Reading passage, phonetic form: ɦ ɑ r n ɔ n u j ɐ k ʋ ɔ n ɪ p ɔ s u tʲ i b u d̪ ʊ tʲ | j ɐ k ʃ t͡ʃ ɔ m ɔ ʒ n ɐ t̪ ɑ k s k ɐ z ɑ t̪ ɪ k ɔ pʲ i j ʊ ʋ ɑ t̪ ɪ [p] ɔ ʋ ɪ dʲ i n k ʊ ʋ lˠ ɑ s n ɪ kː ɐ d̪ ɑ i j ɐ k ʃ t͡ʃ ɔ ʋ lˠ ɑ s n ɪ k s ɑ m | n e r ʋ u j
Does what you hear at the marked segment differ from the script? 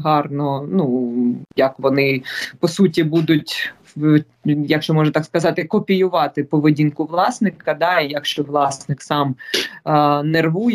no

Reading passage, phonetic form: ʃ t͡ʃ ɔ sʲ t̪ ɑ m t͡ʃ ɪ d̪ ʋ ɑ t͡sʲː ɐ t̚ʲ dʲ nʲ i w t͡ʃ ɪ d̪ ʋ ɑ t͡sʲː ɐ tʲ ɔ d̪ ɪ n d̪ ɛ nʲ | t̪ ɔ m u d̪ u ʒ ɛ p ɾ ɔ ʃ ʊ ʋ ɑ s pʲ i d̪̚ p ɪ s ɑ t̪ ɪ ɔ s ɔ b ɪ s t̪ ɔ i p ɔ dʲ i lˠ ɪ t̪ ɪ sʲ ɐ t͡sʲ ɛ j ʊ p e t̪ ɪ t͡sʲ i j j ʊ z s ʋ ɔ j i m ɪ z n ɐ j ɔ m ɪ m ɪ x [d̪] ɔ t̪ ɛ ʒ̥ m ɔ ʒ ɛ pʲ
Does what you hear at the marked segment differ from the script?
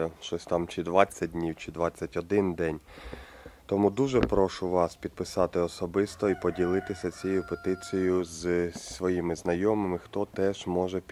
yes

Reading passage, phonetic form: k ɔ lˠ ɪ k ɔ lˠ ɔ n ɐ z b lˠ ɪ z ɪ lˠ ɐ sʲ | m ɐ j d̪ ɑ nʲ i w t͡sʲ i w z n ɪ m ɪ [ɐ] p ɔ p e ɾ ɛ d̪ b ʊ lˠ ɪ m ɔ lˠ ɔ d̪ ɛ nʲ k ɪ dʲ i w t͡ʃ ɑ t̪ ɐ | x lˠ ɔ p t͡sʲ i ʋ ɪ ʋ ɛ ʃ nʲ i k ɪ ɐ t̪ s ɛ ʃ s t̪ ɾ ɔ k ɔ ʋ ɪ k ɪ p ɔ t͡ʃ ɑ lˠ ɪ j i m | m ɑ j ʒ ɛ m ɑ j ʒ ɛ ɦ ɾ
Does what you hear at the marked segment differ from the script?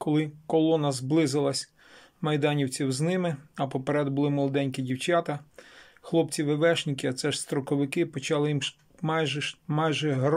no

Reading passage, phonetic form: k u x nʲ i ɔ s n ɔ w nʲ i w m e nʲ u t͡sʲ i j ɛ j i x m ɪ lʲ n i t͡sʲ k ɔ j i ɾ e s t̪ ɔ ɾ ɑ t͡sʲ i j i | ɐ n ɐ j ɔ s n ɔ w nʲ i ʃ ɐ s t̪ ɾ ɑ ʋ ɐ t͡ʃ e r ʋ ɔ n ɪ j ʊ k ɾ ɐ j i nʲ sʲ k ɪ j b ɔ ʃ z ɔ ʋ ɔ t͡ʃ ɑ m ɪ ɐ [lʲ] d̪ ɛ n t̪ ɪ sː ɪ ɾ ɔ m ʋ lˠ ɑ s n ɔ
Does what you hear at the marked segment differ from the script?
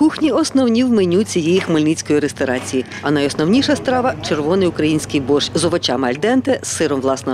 no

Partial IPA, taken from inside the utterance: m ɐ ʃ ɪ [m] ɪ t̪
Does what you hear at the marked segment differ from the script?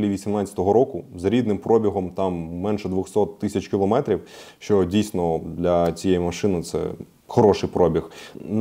yes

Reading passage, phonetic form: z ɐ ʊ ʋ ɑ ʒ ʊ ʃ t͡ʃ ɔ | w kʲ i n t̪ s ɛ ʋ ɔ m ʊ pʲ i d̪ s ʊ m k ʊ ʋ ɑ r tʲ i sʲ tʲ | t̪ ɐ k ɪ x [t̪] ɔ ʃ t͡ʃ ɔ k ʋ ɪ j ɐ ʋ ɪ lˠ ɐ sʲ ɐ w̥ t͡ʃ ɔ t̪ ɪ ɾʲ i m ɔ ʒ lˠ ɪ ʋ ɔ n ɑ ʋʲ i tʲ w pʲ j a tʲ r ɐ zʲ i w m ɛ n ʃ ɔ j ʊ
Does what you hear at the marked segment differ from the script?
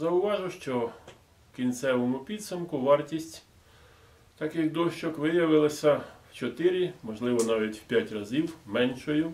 yes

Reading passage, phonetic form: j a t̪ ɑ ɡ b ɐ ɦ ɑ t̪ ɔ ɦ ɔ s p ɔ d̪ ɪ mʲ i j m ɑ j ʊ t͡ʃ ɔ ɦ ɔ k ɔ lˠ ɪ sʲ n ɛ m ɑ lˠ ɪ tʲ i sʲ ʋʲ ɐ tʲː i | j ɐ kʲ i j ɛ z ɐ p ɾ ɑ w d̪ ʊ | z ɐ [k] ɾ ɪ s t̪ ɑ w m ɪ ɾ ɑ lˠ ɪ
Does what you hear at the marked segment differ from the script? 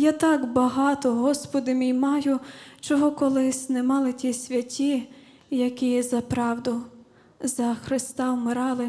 yes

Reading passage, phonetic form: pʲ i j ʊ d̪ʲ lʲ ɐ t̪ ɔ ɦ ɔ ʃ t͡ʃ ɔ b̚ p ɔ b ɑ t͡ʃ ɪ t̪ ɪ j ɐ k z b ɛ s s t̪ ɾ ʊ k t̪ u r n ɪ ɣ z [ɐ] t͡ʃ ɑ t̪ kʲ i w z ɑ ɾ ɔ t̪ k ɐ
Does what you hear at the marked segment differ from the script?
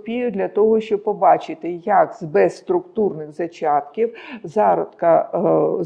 no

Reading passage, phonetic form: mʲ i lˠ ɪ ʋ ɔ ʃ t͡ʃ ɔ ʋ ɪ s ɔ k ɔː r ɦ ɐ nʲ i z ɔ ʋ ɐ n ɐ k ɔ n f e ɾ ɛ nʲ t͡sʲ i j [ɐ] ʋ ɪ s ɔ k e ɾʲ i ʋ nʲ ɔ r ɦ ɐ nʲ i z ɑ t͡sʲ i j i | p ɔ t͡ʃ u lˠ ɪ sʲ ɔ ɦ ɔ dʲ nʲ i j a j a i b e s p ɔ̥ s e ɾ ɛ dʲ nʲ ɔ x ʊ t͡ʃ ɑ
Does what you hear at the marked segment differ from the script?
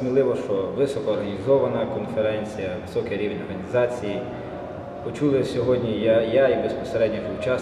no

